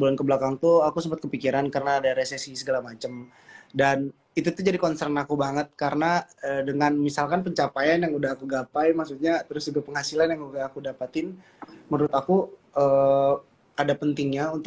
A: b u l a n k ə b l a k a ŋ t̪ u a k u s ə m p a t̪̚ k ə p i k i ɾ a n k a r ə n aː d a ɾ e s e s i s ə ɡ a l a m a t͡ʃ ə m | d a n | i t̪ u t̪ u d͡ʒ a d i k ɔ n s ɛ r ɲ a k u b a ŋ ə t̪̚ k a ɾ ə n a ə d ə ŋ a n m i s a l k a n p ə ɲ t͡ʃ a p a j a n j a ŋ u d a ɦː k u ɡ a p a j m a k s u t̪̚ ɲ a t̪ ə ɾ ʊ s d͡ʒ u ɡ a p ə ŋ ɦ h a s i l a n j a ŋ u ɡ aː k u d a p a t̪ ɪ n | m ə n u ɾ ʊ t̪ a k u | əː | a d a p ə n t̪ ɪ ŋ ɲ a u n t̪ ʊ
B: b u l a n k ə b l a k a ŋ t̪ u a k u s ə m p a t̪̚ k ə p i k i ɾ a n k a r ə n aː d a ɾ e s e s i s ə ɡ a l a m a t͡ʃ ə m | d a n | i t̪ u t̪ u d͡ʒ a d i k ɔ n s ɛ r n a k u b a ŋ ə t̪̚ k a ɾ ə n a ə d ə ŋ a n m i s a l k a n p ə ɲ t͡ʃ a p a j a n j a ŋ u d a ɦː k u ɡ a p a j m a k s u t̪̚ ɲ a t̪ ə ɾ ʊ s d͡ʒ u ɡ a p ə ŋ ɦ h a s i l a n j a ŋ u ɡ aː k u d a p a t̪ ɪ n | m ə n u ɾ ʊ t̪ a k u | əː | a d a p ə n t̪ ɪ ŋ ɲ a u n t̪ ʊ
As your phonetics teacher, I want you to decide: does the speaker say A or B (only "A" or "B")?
B